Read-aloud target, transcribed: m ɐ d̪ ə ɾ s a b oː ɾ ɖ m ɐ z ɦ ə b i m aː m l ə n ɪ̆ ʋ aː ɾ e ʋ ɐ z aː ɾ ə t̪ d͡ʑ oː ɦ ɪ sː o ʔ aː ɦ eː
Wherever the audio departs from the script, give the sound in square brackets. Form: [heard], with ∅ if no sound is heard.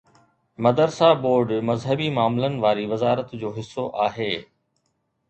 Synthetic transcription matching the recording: m ɐ d̪ ə ɾ s a b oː ɾ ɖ m ɐ z ɦ ə b i m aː m l ə n ɪ̆ ʋ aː ɾ [i] ʋ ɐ z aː ɾ ə t̪ d͡ʑ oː ɦ ɪ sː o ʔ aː ɦ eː